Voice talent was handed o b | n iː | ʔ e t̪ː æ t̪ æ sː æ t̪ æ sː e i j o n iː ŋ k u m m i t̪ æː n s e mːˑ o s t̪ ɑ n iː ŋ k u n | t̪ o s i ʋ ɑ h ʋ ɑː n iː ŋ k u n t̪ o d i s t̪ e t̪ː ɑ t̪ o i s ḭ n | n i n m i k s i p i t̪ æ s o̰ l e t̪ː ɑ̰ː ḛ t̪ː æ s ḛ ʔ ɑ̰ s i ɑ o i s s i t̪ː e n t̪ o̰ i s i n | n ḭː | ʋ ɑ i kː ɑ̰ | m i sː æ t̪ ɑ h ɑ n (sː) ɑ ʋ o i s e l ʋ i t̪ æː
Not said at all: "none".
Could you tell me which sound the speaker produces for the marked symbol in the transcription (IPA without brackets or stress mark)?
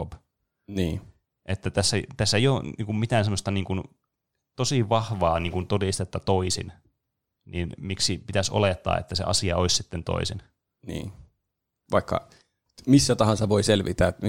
s